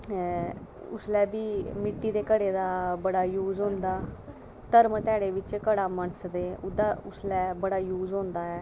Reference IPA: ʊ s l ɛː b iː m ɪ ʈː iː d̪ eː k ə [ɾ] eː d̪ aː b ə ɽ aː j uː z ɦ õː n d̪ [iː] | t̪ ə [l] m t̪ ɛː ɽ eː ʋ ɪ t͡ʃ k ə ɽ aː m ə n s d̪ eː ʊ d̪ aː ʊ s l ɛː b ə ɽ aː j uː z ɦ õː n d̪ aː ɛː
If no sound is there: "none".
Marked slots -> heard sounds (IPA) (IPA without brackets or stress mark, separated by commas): ɽ, aː, ɾ